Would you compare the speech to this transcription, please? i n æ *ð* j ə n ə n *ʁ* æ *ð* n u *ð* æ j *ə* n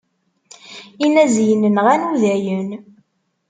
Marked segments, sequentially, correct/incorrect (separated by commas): incorrect, correct, incorrect, correct, correct